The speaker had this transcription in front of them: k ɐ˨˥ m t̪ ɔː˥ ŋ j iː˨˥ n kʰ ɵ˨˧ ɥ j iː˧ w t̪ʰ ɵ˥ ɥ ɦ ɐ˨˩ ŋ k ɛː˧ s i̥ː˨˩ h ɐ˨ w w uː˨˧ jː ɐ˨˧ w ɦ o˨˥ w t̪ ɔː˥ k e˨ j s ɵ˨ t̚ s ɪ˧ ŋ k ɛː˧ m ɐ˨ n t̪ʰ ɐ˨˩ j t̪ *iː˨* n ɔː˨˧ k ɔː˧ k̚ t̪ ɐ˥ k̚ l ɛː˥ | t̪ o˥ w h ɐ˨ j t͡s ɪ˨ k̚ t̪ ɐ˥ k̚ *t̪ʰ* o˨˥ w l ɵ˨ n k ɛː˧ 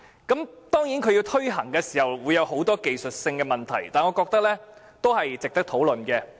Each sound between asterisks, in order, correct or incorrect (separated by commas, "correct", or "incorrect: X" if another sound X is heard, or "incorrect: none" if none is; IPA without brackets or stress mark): incorrect: aː˨, correct